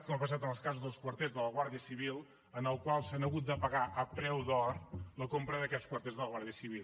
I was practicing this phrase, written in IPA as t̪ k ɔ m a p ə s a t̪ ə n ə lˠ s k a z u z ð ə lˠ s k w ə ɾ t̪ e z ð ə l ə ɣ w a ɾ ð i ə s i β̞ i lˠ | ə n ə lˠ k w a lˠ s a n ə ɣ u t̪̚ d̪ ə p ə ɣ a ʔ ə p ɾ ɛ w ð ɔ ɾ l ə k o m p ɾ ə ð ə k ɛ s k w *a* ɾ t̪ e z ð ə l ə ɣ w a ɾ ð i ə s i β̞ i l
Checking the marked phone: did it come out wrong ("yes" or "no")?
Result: yes